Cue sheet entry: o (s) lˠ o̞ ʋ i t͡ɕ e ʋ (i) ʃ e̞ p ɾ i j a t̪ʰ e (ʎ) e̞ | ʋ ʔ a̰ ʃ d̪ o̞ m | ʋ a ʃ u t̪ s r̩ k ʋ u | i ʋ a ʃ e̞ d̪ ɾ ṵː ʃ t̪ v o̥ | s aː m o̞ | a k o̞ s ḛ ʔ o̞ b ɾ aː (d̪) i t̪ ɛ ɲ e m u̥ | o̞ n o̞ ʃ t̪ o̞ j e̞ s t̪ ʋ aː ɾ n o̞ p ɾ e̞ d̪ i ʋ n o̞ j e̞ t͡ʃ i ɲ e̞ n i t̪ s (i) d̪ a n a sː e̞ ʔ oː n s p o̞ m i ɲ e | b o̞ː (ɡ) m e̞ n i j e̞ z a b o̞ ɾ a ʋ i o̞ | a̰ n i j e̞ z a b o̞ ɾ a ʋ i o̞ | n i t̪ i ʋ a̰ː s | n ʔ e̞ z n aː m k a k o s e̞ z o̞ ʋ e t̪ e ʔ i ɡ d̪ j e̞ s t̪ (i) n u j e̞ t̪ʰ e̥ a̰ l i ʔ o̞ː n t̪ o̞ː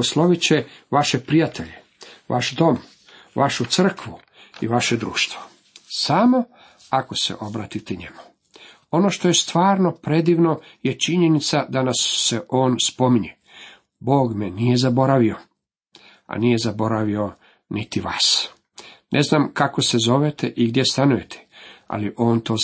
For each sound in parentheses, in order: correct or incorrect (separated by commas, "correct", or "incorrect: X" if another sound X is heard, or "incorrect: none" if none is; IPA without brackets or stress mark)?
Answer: correct, incorrect: a, correct, incorrect: t̪, incorrect: a, correct, incorrect: a